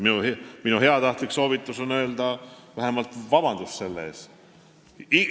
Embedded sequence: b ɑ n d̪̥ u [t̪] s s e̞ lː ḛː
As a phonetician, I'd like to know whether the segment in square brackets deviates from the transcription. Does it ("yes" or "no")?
yes